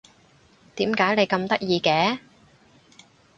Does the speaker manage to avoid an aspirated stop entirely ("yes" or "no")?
yes